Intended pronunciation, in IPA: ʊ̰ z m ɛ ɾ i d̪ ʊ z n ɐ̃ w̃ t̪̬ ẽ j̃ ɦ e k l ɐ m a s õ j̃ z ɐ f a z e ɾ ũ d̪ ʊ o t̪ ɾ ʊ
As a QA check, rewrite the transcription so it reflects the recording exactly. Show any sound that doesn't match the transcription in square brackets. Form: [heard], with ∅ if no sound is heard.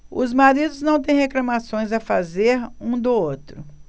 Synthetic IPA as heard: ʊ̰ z m [a] ɾ i d̪ ʊ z n ɐ̃ w̃ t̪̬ ẽ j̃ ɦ e k l ɐ m a s õ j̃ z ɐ f a z e ɾ ũ d̪ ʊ o t̪ ɾ ʊ